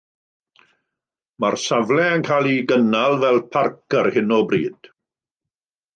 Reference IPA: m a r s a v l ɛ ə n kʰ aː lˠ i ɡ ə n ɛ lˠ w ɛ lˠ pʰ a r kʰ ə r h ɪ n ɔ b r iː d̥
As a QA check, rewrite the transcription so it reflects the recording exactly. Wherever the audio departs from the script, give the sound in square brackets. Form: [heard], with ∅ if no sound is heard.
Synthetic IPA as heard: m a r s a v l ɛ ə n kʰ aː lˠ i ɡ ə n [a] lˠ [v] ɛ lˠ pʰ a r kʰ ə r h ɪ n ɔ b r iː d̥